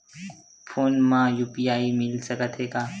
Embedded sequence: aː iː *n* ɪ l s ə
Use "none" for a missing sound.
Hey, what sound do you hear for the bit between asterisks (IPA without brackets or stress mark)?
m